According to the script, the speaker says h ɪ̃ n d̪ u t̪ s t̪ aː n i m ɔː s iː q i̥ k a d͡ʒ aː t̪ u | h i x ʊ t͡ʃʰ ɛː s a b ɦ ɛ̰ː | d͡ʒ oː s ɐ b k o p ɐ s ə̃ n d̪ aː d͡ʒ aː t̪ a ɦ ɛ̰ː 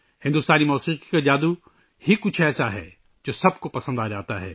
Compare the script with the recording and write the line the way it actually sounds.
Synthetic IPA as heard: h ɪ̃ n d̪ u s t̪ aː n i m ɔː s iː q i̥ k a d͡ʒ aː d̪ u | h i k ʊ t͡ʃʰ ɛː s a ɦ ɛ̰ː | d͡ʒ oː s ɐ b k o p ɐ s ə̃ n d̪ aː d͡ʒ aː t̪ a ɦ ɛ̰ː